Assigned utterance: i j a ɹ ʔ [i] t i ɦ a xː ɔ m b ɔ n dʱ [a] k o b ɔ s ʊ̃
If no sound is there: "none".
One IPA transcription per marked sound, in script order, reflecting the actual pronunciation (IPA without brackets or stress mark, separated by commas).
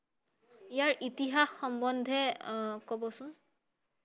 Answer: i, ɛ